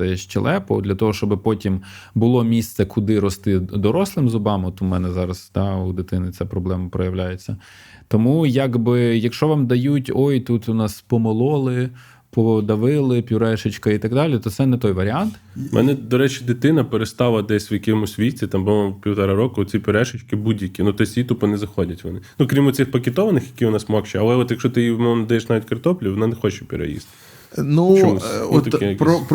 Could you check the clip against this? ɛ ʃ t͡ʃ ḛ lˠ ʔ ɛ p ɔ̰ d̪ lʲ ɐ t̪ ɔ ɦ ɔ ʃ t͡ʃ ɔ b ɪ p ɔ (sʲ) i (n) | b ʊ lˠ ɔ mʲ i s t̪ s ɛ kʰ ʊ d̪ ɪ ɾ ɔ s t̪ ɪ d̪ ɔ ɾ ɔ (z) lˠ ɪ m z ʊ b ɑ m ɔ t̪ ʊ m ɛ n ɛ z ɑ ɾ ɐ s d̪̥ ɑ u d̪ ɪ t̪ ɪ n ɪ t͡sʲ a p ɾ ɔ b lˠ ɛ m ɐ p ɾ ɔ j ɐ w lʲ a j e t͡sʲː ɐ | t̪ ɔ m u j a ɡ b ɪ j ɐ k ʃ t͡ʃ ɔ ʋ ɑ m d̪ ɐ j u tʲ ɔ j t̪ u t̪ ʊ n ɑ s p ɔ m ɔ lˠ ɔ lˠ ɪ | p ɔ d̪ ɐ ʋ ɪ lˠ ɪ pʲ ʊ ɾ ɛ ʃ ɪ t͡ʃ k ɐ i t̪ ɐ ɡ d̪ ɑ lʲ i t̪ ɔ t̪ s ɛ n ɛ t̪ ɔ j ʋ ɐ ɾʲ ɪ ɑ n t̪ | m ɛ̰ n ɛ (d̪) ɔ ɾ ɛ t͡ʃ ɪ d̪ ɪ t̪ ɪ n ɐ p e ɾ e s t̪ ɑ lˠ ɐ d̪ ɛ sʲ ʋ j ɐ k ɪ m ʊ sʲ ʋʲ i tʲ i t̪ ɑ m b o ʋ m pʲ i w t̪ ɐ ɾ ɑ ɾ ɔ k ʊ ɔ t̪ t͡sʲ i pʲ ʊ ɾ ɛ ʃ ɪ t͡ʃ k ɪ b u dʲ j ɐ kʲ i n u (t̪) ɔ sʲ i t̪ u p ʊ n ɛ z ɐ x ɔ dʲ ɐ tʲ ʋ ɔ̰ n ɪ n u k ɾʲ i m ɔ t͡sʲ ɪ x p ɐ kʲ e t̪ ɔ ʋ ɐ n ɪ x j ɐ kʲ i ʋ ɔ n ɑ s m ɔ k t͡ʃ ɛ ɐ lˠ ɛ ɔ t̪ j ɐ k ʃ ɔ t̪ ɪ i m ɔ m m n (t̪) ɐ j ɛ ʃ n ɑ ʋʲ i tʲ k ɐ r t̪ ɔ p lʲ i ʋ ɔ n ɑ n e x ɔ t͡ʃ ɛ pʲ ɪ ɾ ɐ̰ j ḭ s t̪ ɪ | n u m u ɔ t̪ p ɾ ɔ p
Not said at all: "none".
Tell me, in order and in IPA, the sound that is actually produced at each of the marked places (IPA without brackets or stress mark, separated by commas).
tʲ, m, s, d̪, t̪, d̪